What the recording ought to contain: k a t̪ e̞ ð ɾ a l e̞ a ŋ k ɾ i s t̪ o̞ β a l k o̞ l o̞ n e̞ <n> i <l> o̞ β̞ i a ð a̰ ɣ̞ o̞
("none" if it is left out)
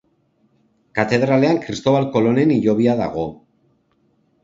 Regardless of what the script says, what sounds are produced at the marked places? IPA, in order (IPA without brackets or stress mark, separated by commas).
n, ʎ